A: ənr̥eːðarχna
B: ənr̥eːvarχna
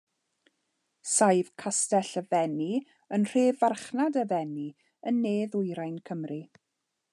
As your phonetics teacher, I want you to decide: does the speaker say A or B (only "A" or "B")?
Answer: B